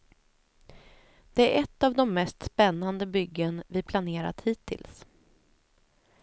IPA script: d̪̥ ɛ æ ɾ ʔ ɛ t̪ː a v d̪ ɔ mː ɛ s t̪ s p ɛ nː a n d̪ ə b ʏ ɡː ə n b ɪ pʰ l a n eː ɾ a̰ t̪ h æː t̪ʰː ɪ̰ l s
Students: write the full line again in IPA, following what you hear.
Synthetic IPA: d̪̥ ɛ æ ɾ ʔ ɛ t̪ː a v d̪ ɔ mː ɛ s t̪ s p ɛ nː a n d̪ ə b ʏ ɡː ə n v ɪ pʰ l a n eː ɾ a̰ t̪ h iː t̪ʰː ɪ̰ l s

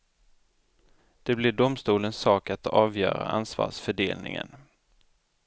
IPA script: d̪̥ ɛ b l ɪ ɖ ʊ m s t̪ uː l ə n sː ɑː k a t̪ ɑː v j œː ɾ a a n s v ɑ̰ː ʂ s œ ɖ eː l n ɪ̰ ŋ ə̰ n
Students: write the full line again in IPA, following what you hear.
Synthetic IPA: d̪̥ ɛ b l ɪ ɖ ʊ m s t̪ uː l ə n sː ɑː k a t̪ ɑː v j œː ɾ a a n s v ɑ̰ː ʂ f œ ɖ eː l n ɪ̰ ŋ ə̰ n

